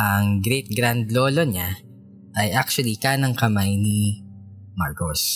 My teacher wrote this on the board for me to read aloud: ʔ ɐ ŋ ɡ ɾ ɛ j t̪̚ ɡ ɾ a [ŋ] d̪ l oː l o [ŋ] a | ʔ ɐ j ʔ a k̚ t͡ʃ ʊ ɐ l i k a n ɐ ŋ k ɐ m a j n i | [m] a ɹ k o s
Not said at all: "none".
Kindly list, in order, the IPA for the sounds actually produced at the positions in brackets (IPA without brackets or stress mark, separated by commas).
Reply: n, ɲ, m